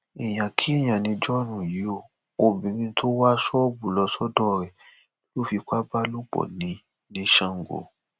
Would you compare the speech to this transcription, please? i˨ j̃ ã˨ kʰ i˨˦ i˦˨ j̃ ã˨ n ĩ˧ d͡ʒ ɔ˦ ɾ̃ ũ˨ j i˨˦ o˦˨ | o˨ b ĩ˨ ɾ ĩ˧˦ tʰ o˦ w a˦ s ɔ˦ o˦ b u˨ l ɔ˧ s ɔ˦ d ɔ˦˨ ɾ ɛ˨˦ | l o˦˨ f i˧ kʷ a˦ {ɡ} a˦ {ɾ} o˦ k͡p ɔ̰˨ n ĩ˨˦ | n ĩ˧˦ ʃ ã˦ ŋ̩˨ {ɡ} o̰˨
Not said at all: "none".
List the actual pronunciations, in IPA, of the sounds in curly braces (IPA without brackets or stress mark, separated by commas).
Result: b, l, ɡ